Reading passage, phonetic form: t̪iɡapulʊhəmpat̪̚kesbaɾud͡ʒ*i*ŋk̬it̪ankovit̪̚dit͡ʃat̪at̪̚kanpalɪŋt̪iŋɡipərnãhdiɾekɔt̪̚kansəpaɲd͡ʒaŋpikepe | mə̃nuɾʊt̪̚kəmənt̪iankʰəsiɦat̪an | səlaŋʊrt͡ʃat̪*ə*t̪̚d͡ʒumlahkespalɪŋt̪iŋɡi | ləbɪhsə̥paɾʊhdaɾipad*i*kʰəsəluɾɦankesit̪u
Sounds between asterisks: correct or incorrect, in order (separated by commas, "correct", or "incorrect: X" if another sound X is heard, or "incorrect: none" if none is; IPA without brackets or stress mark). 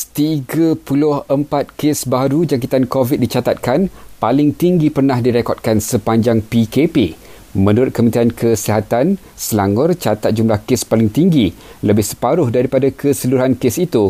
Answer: incorrect: a, incorrect: a, incorrect: a